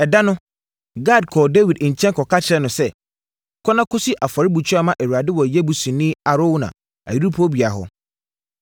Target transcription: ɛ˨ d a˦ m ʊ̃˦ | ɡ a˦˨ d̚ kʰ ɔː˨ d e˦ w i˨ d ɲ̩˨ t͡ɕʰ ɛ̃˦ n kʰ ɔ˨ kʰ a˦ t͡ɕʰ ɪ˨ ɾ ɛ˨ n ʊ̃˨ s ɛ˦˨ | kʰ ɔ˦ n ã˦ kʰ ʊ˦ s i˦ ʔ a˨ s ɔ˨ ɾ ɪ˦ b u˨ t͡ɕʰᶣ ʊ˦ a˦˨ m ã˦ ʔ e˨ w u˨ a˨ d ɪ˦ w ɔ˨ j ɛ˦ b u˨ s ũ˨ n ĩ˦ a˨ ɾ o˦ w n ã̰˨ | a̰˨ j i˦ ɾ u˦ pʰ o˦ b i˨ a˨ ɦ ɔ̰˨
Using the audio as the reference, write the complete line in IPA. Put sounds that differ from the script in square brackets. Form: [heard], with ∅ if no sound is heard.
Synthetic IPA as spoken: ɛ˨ d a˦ [n] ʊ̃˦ | ɡ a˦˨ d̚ kʰ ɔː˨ d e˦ w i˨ d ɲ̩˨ t͡ɕʰ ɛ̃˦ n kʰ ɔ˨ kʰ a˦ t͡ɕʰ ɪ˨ ɾ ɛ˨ n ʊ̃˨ s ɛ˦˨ | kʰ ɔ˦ n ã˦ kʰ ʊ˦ s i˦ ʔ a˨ [f] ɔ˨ ɾ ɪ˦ b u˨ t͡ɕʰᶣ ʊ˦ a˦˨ m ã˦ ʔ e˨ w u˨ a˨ d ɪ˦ w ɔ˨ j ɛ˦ b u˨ s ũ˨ n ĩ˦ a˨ ɾ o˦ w n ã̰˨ | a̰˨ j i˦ ɾ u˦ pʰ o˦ b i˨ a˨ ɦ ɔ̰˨